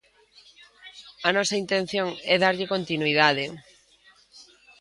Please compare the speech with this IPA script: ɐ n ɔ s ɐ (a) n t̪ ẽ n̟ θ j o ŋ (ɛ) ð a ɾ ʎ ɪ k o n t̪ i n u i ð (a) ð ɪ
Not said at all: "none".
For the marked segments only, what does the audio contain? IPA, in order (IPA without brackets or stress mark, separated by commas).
i, ɛ, a